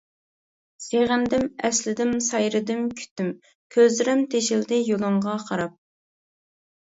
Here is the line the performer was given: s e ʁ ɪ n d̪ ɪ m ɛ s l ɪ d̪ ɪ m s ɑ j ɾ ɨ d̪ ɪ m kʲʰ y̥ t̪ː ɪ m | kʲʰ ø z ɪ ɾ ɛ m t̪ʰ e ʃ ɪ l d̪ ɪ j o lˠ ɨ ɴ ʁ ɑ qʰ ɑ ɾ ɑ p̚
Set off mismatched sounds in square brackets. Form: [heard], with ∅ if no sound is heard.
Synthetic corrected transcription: s e ʁ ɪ n d̪ ɪ m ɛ s l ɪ d̪ ɪ m s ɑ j ɾ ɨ d̪ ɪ m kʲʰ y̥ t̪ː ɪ m | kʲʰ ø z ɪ ɾ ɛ m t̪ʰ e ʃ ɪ l d̪ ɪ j o lˠ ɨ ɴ ʁ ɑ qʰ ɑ ɾ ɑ p̚